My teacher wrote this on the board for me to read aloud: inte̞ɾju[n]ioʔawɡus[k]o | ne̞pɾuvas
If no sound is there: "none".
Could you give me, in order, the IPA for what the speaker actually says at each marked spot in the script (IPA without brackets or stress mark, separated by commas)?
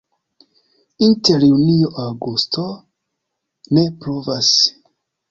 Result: n, t